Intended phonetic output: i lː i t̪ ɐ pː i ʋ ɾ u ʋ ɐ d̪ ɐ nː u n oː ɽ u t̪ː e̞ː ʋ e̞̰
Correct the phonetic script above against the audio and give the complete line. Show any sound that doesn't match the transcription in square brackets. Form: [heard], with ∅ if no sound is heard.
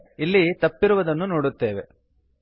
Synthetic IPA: i lː i t̪ ɐ pː i [∅] ɾ u ʋ ɐ d̪ ɐ nː u n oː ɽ u t̪ː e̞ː ʋ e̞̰